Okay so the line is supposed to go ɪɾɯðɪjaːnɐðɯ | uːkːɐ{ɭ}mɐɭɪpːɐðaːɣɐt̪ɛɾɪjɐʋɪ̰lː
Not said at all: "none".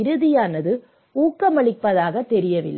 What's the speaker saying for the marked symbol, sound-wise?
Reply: none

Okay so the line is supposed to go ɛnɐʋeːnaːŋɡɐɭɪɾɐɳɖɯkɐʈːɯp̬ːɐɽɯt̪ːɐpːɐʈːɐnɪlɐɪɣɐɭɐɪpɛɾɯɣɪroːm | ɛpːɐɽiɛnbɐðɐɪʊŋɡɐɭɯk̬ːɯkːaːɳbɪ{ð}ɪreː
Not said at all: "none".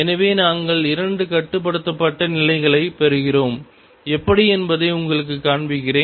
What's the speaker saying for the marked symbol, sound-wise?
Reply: ɣ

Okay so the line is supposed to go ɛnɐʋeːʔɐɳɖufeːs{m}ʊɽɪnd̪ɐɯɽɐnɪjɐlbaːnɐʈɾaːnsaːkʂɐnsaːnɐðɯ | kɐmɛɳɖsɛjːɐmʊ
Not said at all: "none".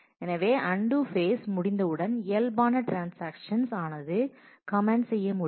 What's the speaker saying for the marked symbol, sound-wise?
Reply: m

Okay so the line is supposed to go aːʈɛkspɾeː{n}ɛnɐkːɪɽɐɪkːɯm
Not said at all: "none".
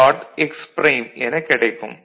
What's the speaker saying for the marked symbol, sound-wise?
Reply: m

